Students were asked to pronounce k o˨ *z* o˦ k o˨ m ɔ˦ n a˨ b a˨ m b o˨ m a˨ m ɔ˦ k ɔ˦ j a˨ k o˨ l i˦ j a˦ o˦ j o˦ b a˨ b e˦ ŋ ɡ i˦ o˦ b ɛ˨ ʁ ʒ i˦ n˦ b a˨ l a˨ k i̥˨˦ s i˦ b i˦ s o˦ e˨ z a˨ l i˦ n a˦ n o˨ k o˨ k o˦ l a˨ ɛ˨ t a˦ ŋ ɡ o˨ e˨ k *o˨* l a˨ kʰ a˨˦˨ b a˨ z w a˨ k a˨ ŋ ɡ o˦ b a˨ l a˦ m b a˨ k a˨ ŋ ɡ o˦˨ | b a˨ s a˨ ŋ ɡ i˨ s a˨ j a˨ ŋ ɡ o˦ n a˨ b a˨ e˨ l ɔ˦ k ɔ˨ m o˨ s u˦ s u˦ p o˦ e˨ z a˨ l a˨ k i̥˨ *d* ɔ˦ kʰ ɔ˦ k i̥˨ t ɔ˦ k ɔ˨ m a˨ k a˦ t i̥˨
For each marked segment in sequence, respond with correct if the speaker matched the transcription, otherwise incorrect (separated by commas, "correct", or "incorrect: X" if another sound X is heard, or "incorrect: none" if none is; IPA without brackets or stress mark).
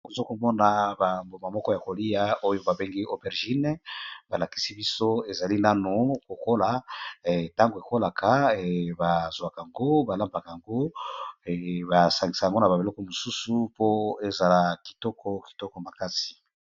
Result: correct, incorrect: o˦, incorrect: t